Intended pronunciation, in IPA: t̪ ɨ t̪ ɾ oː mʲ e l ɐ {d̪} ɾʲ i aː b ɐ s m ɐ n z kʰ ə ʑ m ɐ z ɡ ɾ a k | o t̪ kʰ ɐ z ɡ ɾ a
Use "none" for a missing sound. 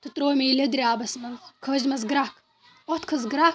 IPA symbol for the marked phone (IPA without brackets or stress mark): d̪